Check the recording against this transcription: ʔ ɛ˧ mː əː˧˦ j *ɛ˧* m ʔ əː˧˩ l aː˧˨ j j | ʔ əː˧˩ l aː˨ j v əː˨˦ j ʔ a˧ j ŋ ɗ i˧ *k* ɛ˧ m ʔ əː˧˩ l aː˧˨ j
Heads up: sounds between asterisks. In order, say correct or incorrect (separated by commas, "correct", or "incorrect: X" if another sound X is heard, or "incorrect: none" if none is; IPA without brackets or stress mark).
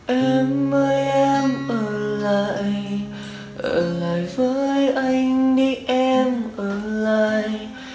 correct, incorrect: ʔ